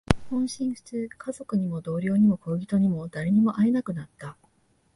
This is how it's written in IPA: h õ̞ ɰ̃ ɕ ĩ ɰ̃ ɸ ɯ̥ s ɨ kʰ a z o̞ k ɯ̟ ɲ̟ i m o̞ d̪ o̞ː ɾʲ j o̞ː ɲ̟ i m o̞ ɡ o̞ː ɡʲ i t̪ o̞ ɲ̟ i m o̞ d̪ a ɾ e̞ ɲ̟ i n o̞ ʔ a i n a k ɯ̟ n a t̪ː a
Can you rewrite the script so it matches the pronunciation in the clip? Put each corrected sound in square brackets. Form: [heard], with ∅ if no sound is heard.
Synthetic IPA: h õ̞ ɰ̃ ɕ ĩ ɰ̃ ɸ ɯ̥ [t͡s] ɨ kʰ a z o̞ k ɯ̟ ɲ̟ i m o̞ d̪ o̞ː ɾʲ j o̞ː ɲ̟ i m o̞ [k] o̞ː ɡʲ i t̪ o̞ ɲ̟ i m o̞ d̪ a ɾ e̞ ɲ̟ i [m] o̞ ʔ a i n a k ɯ̟ n a t̪ː a